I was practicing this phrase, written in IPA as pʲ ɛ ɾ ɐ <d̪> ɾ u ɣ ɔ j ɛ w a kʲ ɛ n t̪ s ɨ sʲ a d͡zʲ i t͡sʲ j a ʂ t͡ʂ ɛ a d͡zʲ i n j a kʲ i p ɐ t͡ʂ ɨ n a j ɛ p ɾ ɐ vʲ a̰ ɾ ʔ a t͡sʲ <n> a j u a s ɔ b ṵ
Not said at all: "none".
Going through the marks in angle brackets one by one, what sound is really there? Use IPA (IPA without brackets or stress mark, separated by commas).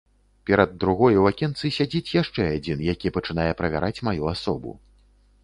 d̪ː, m